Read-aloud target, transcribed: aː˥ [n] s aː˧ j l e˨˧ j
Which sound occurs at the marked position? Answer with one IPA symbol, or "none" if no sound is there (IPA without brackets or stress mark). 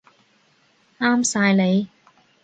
m